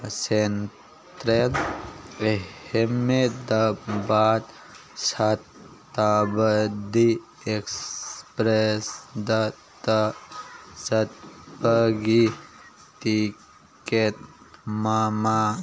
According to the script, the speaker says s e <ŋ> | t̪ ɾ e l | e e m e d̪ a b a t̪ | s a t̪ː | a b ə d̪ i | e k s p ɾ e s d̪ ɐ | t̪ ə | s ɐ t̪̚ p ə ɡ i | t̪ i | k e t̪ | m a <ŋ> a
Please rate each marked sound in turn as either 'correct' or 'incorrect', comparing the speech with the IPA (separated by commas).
incorrect, incorrect